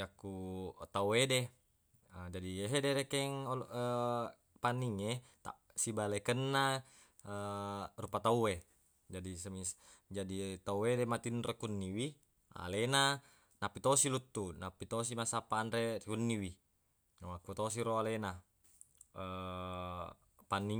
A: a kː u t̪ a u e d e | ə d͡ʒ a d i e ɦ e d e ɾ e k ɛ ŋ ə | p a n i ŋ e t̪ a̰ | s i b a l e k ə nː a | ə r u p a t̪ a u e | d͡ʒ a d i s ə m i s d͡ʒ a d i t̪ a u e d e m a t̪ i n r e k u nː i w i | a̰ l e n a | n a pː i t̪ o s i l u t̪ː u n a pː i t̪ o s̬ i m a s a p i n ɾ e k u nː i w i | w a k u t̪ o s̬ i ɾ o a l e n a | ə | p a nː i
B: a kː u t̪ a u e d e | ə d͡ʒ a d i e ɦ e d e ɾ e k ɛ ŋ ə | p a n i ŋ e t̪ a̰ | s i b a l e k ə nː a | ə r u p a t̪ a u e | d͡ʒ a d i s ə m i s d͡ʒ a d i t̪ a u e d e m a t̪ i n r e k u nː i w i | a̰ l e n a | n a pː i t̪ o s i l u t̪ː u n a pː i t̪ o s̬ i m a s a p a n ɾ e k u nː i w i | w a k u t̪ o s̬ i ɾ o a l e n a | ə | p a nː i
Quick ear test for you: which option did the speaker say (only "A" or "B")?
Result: B